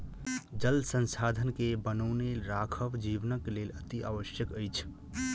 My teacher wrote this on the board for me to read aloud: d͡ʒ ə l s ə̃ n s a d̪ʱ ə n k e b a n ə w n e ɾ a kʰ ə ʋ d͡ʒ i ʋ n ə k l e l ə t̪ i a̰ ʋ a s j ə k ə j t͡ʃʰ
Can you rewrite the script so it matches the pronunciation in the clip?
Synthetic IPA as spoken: d͡ʒ ə l s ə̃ n s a d̪ʱ ə n k e b ə n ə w n e ɾ a kʰ ə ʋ d͡ʒ i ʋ n ə k l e l ə t̪ i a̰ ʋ ə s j ə k ə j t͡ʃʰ